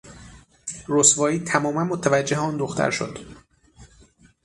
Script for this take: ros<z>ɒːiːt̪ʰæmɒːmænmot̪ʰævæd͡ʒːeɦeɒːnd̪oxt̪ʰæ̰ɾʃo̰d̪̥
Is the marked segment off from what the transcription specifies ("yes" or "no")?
yes